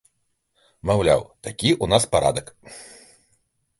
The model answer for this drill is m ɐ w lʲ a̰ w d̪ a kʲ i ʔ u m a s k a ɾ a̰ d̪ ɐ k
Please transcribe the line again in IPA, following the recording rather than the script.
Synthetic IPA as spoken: m a w lʲ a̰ w t̪ a kʲ i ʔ u n a s p a ɾ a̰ d̪ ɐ k